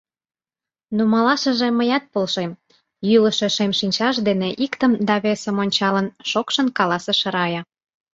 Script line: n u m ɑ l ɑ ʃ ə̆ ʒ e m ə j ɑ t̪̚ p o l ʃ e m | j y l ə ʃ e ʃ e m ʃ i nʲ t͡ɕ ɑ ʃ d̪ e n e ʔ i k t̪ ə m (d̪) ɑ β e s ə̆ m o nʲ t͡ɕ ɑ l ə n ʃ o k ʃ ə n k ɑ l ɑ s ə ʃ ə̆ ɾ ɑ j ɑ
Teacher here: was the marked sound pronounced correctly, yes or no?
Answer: yes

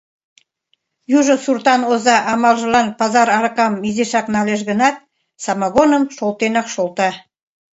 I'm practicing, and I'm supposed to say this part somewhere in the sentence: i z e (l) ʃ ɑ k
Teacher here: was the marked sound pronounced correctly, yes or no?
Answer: no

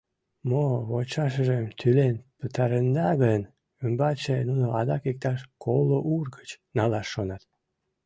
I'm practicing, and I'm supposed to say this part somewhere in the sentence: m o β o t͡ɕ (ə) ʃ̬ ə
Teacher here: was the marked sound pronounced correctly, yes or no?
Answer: no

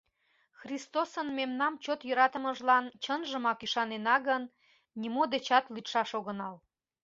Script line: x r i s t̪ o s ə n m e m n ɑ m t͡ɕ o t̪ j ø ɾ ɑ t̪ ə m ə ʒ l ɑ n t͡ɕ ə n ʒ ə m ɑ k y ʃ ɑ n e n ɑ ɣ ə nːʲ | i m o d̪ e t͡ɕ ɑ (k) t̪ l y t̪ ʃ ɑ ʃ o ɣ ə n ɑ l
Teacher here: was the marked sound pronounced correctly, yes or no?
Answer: no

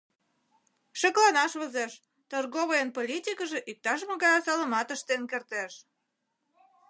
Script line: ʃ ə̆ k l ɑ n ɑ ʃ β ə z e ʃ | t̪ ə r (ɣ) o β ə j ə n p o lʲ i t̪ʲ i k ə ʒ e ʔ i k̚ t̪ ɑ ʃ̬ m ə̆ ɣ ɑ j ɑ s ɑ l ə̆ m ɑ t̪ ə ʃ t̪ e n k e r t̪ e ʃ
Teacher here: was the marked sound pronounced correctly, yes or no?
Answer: yes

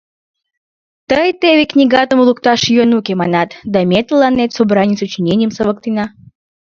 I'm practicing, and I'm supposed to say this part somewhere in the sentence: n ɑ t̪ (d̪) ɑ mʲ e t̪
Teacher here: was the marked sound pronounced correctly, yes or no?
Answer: yes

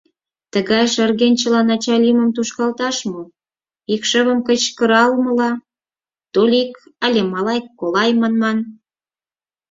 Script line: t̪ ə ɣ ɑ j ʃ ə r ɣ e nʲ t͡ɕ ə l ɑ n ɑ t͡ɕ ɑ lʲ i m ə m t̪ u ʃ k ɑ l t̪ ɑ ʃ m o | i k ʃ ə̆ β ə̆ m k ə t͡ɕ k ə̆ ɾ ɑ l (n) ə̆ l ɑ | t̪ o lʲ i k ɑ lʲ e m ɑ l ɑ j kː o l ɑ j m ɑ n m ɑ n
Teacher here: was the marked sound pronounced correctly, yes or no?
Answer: no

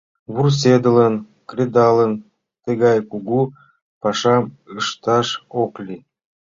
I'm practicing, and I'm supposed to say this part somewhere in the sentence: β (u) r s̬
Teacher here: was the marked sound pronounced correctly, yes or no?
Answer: yes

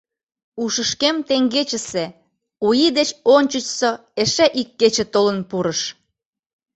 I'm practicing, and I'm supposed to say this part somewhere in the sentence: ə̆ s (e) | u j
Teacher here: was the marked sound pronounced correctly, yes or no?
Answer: yes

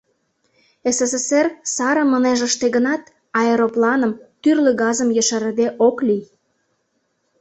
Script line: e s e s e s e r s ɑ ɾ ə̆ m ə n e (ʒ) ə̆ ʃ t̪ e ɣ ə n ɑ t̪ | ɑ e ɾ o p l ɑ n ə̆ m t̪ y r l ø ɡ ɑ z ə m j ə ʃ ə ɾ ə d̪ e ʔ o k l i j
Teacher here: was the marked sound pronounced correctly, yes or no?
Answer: yes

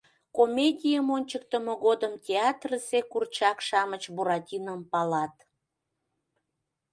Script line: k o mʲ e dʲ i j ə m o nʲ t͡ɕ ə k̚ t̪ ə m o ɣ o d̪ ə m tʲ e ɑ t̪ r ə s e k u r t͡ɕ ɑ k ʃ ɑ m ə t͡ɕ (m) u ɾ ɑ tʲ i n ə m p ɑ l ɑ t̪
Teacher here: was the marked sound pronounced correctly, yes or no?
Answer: no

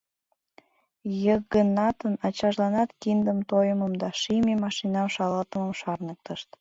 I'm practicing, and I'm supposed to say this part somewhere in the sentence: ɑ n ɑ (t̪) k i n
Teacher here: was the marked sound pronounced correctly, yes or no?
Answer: yes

